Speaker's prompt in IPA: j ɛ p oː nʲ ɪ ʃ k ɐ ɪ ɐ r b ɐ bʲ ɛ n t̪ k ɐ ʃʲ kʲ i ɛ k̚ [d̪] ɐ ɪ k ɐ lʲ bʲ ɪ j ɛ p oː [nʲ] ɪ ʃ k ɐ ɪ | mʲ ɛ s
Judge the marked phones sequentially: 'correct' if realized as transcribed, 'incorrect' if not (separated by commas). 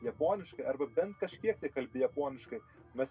incorrect, correct